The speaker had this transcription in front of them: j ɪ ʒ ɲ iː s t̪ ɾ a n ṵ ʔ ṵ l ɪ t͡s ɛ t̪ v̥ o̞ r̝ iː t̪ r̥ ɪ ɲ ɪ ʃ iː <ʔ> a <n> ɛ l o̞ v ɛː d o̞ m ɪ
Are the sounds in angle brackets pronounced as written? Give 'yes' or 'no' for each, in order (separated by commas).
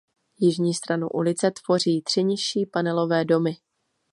no, yes